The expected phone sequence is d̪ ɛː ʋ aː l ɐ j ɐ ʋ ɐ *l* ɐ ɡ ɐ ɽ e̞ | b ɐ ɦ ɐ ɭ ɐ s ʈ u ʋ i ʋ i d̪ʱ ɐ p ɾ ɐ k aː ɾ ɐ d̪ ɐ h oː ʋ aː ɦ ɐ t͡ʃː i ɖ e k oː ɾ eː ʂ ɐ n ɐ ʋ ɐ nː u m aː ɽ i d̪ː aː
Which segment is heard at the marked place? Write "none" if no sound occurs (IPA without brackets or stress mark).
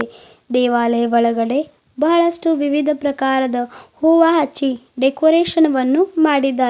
ɭ